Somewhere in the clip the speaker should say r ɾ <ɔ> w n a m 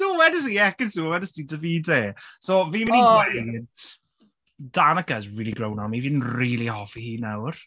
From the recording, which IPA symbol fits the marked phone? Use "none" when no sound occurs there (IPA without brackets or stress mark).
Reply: o